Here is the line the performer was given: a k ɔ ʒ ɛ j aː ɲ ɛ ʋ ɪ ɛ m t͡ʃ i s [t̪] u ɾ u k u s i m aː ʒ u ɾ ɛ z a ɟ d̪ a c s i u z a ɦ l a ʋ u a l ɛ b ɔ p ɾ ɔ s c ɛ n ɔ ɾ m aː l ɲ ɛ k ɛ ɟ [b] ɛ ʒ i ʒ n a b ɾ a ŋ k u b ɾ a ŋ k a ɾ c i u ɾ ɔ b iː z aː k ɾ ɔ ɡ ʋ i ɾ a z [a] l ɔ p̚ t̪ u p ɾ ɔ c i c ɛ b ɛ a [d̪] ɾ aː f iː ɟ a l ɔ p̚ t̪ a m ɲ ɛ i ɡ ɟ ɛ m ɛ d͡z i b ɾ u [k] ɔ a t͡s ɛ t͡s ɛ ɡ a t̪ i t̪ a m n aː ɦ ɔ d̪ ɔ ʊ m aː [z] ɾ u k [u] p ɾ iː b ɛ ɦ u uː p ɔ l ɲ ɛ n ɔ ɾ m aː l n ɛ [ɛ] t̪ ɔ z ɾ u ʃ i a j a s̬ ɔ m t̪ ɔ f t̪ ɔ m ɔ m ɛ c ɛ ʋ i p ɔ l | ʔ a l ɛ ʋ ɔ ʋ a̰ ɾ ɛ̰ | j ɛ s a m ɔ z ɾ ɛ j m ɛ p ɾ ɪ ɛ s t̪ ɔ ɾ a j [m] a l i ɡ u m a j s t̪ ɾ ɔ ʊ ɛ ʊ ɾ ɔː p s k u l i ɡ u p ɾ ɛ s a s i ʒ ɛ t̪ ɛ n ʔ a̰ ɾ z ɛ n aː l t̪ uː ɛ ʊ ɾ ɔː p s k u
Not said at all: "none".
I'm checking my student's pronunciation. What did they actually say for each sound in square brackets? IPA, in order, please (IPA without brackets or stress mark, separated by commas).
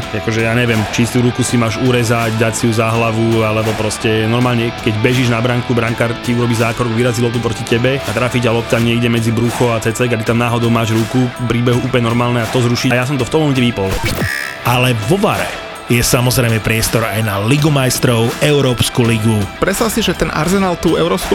t̪, b, i, t̪, x, ʒ, u, a, n